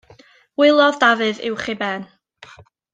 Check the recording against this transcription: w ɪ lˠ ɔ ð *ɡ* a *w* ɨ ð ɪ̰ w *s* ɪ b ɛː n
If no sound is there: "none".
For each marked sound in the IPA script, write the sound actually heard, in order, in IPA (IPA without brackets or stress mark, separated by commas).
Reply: d, v, χ